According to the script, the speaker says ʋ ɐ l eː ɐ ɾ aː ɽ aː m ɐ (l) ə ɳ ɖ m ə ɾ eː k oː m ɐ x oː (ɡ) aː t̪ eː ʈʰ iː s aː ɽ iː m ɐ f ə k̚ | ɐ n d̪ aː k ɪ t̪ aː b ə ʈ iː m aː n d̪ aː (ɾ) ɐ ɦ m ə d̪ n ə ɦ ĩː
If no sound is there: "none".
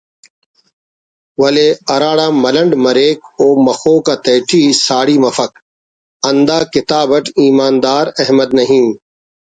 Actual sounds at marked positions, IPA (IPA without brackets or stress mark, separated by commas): l, k, ɾ